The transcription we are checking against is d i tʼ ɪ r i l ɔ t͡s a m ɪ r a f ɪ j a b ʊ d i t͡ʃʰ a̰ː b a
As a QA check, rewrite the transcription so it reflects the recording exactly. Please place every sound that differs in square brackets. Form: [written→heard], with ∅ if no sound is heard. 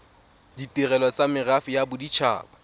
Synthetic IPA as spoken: d i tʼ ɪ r [i→ɛ] l ɔ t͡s a m ɪ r a f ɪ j a b ʊ d i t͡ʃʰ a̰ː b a

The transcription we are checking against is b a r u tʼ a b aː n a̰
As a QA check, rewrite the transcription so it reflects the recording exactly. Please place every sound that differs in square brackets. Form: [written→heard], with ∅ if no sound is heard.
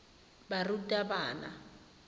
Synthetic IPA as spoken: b a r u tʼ a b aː n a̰

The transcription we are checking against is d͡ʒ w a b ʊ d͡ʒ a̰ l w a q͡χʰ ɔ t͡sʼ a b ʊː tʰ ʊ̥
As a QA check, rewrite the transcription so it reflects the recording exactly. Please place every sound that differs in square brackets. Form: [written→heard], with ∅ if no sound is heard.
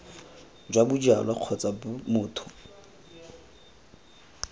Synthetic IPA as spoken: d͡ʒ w a b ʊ d͡ʒ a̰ l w a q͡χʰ ɔ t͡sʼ a [b→m] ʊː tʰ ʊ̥

